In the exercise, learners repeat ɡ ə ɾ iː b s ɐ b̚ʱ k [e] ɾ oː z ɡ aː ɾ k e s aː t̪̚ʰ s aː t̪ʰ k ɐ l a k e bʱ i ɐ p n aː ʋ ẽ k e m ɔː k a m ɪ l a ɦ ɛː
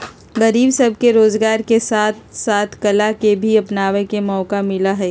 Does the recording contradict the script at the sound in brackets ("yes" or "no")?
no